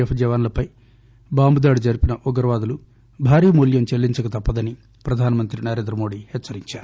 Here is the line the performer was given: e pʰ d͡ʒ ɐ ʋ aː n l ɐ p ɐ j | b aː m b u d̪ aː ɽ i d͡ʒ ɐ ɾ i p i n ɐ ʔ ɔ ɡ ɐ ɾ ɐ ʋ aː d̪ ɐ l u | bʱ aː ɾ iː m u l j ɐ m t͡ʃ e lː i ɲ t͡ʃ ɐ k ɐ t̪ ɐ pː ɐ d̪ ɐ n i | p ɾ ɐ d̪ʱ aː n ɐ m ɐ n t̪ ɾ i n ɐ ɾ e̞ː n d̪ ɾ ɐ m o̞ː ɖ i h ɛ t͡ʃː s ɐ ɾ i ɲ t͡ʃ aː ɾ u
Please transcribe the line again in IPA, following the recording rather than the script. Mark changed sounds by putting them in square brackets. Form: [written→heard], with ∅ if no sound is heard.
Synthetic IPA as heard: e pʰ d͡ʒ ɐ ʋ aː n l ɐ p ɐ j | b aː m b u d̪ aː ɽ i d͡ʒ ɐ ɾ i p i n ɐ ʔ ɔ ɡ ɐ ɾ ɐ ʋ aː d̪ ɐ l u | bʱ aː ɾ iː m u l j ɐ m t͡ʃ e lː i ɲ t͡ʃ ɐ k ɐ t̪ ɐ pː ɐ d̪ ɐ n i | p ɾ ɐ d̪ʱ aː n ɐ m ɐ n t̪ ɾ i n ɐ ɾ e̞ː n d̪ ɾ ɐ m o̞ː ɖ i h ɛ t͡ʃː s ɐ ɾ i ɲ t͡ʃ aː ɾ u